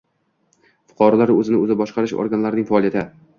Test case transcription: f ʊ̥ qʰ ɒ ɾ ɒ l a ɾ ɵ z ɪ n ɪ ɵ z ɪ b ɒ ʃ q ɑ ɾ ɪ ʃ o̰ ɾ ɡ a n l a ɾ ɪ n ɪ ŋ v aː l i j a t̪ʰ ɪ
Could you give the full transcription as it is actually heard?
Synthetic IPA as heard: f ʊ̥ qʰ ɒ ɾ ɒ l a ɾ ɵ z ɪ n ɪ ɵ z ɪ b ɒ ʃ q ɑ ɾ ɪ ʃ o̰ ɾ ɡ a n l a ɾ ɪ n ɪ ŋ f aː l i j a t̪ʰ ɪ